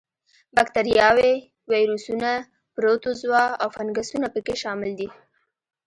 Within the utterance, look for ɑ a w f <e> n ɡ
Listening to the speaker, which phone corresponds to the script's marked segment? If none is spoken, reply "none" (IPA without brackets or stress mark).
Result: a